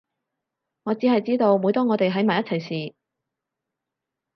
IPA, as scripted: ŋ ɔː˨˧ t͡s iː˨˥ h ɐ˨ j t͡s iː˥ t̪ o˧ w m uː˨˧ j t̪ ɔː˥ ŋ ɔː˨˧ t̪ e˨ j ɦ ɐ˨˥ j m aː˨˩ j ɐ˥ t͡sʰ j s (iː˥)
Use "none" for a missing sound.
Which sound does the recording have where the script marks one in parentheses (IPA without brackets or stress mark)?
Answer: iː˨˩